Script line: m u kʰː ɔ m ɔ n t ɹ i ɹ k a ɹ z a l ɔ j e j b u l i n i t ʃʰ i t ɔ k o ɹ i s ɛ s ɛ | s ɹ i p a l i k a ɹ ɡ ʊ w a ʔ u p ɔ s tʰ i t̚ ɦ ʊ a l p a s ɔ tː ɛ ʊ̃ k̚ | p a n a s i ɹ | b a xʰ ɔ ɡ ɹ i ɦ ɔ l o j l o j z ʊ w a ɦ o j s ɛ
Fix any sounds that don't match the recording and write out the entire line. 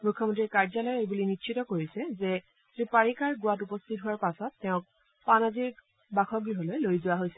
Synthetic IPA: m u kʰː ɔ m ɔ n t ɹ i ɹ k a ɹ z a l ɔ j e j b u l i n i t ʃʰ i t ɔ k o ɹ i s ɛ z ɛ | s ɹ i p a ɹ i k a ɹ ɡ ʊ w a t u p ɔ s tʰ i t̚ ɦ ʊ a ɹ p a s ɔ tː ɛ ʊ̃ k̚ | p a n a z i ɹ | b a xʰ ɔ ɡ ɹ i ɦ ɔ l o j l o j z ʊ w a ɦ o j s ɛ